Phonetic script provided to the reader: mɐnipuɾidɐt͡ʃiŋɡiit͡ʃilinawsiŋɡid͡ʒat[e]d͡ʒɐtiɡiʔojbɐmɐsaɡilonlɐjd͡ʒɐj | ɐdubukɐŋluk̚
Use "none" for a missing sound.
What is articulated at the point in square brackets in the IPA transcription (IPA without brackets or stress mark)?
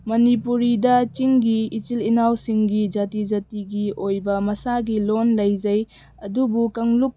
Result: i